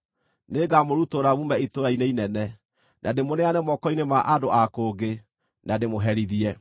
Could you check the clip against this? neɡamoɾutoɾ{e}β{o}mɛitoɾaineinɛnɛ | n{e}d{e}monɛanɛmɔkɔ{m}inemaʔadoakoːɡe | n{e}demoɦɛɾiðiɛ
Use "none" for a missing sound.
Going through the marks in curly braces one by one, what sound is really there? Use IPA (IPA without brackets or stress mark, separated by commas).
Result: a, u, a, e, none, a